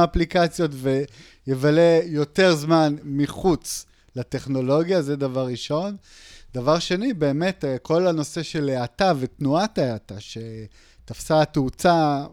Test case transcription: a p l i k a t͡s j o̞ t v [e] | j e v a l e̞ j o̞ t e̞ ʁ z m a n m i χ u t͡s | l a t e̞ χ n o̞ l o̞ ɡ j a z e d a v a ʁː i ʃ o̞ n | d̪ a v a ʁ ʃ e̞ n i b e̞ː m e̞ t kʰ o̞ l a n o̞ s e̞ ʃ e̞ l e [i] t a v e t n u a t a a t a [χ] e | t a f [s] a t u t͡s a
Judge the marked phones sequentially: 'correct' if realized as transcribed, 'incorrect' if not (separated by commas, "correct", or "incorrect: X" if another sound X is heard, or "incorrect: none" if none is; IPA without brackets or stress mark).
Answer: correct, incorrect: a, incorrect: ʃ, correct